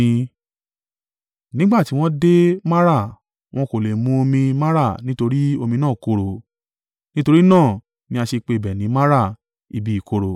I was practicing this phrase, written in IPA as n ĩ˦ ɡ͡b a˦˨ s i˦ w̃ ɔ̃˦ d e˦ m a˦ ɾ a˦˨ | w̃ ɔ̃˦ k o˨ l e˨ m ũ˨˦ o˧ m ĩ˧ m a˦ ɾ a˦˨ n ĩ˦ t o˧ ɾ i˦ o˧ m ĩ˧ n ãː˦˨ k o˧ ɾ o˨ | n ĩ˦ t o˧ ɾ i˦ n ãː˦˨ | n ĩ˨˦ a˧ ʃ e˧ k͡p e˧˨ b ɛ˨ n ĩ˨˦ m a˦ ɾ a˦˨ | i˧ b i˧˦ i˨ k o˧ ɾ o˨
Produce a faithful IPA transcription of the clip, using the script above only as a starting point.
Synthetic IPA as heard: n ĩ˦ ɡ͡b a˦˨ t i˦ w̃ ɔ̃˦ d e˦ m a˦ ɾ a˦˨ | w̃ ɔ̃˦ k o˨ l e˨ m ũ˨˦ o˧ m ĩ˧ m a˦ ɾ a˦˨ n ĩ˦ t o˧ ɾ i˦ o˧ m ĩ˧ n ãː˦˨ k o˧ ɾ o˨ | n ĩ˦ t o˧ ɾ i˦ n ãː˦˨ | n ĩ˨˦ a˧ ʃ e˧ k͡p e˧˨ b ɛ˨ n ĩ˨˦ m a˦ ɾ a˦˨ | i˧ b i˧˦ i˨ k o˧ ɾ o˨